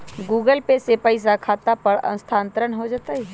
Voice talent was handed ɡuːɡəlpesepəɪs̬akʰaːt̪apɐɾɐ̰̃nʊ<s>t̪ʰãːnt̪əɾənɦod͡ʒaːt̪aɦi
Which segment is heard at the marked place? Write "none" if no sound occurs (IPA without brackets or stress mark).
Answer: s